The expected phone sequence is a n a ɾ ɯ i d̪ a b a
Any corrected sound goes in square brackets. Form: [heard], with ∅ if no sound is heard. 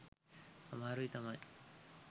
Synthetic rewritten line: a [m] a ɾ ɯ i [t̪] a [m] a